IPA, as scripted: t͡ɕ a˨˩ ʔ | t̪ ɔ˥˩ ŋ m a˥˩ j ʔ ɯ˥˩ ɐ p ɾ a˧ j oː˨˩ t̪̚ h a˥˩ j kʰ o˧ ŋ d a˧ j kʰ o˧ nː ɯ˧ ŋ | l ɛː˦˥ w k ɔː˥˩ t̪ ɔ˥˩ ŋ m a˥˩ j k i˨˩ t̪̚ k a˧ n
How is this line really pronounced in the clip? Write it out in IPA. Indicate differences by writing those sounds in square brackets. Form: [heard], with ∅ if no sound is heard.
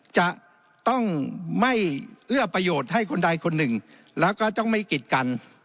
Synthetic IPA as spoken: t͡ɕ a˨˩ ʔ | t̪ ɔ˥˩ ŋ m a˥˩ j ʔ ɯ˥˩ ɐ p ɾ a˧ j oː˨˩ t̪̚ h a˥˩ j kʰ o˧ [n] d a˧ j kʰ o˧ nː [ɯ˨˩] ŋ | l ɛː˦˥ w k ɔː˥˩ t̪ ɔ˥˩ ŋ m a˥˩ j k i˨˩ t̪̚ k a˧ n